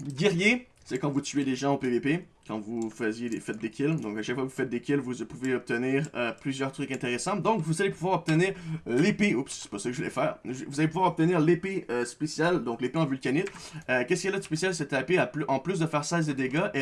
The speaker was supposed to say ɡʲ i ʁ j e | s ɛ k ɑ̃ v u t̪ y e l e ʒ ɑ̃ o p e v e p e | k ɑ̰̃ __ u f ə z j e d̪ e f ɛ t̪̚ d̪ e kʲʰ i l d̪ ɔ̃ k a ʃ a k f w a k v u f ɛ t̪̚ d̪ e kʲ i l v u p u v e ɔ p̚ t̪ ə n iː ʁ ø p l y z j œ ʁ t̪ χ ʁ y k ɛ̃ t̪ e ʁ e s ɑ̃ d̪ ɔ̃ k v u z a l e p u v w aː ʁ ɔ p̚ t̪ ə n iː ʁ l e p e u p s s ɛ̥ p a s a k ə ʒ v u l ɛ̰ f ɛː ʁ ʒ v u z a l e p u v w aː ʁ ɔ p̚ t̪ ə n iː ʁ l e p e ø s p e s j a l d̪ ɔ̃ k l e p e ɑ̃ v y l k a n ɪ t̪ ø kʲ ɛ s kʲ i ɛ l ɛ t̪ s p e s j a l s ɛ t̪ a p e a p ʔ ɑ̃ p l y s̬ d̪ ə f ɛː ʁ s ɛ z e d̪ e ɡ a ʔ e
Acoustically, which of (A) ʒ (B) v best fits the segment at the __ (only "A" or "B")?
B